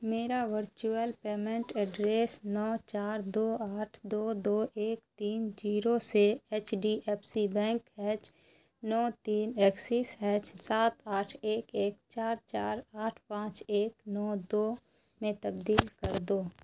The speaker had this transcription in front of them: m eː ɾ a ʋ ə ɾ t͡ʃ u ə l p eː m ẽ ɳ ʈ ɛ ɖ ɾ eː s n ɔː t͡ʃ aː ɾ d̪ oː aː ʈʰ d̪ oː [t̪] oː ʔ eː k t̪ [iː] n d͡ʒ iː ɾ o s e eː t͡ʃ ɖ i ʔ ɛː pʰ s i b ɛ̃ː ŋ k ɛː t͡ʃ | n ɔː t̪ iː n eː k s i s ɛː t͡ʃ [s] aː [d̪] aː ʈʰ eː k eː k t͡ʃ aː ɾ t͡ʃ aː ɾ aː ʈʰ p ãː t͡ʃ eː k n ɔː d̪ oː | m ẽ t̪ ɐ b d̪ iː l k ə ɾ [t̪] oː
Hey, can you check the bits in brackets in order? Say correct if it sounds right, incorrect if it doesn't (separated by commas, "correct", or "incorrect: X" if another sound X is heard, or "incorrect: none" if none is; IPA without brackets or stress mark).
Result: incorrect: d̪, correct, correct, incorrect: t̪, incorrect: d̪